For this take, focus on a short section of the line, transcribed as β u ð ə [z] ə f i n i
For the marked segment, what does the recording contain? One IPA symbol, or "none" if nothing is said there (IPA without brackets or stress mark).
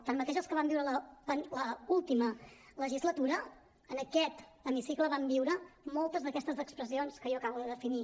ð